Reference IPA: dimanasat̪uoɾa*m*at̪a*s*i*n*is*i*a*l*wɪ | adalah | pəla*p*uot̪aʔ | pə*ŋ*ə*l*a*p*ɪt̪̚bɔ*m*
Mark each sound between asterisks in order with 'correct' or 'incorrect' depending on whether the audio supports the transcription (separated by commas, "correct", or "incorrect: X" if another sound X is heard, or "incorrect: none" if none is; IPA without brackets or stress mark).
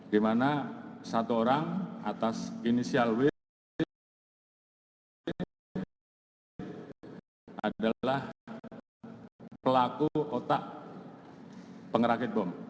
incorrect: ŋ, correct, correct, correct, correct, incorrect: k, correct, incorrect: ɾ, incorrect: k, correct